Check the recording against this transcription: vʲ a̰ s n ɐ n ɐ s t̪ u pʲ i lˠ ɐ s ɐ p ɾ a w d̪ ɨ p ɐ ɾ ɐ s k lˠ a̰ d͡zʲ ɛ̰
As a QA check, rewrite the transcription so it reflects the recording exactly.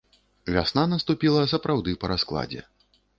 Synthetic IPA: vʲ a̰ s n a n ɐ s t̪ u pʲ i lˠ ɐ s ɐ p ɾ a w d̪ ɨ p ɐ ɾ a s k lˠ a̰ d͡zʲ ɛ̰